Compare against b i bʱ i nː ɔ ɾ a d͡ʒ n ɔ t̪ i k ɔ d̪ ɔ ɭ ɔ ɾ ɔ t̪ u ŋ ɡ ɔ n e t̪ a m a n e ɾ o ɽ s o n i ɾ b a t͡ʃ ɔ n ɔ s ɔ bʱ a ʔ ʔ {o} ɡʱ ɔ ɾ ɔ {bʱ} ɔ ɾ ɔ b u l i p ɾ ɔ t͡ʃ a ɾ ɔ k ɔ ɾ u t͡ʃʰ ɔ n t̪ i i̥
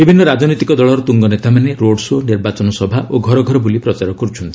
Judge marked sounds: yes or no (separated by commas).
yes, no